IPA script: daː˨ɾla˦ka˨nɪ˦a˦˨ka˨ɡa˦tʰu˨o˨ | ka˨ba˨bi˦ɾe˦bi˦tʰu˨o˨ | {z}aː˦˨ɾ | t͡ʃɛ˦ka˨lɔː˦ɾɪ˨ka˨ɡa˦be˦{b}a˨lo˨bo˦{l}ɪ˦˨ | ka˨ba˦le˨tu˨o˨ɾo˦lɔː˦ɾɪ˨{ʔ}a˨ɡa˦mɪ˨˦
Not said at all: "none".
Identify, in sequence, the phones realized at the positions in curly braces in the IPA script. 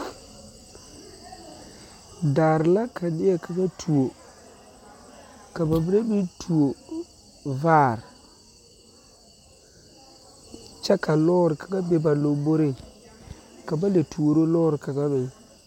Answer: v, b, ɾ, k

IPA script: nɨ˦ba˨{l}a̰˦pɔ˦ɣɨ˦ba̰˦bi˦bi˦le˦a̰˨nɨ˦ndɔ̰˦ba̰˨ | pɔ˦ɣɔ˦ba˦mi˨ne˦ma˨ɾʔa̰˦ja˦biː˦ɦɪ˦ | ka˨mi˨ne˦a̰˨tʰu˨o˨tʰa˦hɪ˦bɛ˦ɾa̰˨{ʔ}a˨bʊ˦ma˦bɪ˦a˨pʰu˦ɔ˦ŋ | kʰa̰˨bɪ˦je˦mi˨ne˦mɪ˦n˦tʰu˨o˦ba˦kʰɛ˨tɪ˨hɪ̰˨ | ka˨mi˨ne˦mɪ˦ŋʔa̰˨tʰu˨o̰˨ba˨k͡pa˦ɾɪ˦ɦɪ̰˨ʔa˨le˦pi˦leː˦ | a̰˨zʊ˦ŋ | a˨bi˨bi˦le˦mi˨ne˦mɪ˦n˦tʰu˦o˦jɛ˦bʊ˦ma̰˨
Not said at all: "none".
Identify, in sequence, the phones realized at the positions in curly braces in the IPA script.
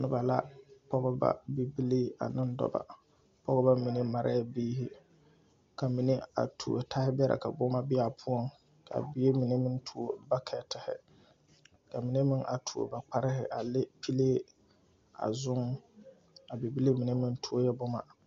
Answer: l, k

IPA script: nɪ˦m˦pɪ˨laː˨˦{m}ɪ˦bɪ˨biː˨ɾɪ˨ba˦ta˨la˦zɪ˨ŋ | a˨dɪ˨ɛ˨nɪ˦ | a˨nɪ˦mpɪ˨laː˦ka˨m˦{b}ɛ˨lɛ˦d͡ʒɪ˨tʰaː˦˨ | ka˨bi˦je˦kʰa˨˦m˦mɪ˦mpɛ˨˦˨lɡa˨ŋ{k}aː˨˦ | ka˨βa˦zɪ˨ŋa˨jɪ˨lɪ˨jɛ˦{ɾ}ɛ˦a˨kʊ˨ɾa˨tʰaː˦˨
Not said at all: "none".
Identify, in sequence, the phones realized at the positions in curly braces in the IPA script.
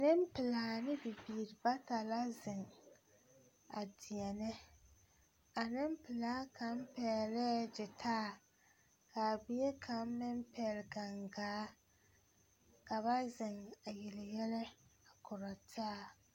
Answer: n, p, ɡ, l

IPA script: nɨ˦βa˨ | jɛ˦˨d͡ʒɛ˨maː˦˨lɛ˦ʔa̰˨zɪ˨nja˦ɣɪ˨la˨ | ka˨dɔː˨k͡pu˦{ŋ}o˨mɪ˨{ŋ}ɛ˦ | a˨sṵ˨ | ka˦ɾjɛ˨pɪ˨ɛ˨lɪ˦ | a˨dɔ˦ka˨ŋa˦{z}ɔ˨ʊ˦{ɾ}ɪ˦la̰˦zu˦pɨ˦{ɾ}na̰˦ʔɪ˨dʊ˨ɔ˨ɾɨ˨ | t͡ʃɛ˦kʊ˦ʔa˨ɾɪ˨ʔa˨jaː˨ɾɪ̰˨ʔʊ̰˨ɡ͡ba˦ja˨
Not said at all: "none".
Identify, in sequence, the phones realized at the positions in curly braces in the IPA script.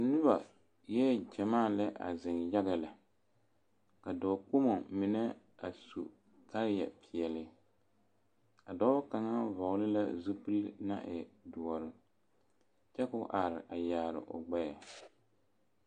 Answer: m, n, v, l, l

